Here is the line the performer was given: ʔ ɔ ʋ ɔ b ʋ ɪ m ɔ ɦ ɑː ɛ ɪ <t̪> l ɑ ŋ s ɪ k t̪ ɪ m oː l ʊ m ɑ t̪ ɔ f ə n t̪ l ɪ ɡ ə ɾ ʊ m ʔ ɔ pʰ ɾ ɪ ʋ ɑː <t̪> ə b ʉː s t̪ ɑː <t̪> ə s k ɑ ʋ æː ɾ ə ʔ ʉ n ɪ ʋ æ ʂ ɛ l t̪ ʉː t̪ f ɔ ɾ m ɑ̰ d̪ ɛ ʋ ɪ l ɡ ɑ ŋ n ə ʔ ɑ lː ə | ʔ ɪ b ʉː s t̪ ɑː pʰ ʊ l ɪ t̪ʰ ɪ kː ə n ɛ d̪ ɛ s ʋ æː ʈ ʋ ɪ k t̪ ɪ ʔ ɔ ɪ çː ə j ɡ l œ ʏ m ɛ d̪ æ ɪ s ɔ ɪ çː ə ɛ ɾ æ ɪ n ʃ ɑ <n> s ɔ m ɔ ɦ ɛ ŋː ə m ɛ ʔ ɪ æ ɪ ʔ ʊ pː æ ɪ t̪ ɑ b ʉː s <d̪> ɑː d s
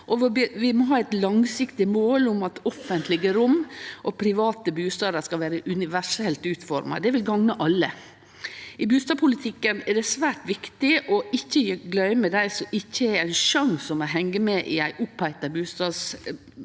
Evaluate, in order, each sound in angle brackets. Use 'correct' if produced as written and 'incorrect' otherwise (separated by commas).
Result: correct, correct, incorrect, incorrect, incorrect